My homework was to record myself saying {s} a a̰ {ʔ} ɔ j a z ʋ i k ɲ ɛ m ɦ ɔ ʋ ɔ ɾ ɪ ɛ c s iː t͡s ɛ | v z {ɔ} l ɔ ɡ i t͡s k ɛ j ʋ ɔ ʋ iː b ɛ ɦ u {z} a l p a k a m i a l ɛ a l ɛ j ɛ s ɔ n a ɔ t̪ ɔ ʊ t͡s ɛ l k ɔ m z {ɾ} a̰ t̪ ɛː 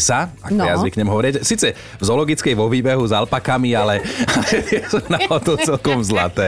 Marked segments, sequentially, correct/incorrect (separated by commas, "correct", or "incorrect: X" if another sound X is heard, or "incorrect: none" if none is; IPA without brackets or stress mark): correct, incorrect: k, correct, correct, incorrect: l